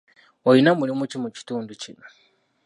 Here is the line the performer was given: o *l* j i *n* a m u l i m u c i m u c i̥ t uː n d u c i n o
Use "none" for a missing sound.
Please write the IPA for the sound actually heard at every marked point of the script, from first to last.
none, n

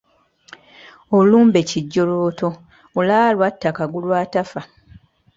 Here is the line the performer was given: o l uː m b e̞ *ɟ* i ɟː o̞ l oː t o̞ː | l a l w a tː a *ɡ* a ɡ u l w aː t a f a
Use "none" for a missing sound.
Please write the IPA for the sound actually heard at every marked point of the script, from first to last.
c, k

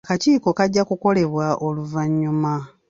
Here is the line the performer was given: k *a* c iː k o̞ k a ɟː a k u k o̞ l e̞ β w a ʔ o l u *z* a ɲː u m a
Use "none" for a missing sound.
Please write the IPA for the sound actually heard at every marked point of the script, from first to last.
a, v

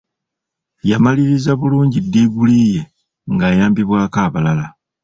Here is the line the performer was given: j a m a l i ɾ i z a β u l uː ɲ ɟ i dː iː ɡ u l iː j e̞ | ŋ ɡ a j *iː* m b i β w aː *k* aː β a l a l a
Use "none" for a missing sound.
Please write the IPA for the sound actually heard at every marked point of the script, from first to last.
aː, k

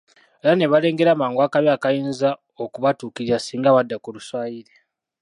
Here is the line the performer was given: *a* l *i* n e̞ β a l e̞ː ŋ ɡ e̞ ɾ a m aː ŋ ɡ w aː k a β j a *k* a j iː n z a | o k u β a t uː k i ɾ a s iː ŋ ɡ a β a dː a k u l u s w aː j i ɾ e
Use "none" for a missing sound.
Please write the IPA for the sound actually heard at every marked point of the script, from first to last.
e, a, k

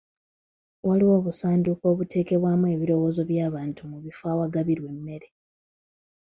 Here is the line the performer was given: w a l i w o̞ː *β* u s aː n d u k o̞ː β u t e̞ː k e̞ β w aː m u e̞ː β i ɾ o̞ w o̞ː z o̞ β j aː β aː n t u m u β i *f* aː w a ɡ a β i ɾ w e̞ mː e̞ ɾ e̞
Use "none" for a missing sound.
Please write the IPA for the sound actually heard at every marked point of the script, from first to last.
β, f

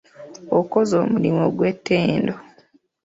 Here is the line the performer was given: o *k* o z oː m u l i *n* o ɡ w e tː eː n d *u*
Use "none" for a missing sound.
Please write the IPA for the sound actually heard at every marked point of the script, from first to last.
k, m, o

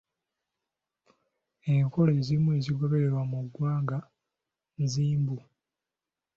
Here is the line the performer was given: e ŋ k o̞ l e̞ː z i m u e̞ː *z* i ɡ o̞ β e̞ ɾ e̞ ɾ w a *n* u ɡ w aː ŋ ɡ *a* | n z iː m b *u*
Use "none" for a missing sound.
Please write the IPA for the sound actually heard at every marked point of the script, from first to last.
z, m, a, u

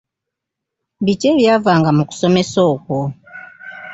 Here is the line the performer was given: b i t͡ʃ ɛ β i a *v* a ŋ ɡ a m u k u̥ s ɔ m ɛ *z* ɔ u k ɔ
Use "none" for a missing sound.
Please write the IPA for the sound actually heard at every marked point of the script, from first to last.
v, s

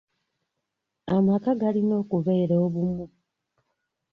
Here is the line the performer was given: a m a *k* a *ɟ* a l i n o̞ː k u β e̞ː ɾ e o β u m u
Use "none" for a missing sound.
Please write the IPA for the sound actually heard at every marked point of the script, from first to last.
k, ɡ

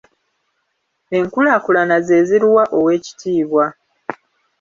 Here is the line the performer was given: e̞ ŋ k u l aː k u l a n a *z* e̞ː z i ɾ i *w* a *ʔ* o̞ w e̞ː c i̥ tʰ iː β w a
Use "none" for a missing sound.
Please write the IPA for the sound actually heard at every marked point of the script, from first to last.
z, w, ʔ

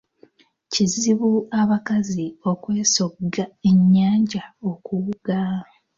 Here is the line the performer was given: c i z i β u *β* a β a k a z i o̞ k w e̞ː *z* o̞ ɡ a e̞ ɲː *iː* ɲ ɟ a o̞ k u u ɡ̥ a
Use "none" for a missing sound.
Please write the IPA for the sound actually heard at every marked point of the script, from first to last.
none, s, aː

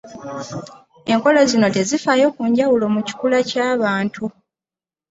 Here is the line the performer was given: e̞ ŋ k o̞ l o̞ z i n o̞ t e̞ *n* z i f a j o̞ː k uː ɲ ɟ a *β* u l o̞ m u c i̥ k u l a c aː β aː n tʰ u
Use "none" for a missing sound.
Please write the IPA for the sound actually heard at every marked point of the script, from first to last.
none, w

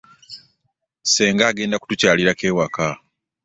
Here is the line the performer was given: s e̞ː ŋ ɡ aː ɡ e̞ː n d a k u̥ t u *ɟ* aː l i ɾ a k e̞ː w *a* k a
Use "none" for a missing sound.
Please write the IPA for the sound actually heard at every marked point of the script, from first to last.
c, a

